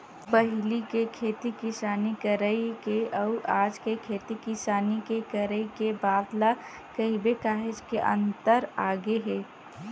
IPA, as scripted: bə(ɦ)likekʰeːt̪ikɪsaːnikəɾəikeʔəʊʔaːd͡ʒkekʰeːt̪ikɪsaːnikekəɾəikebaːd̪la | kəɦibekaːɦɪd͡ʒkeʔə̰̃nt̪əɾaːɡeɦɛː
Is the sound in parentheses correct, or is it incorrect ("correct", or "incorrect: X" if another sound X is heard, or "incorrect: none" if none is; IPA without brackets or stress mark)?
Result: correct